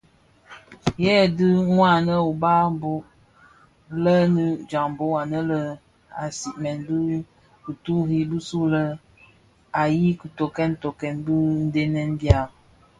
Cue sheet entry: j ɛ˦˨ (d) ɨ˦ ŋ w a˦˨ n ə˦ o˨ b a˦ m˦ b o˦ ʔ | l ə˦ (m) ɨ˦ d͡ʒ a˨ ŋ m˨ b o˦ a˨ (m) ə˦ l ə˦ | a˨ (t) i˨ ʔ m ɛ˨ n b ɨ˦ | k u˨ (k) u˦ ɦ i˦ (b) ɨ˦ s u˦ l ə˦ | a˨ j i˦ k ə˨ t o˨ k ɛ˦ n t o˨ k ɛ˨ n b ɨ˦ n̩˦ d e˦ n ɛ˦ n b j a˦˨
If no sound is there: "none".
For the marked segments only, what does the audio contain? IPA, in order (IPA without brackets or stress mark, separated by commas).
d, n, n, s, t, b